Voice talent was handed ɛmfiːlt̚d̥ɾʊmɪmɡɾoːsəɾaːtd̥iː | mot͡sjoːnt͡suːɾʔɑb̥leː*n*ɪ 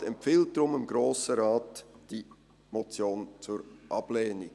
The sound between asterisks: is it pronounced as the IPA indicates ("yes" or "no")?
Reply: yes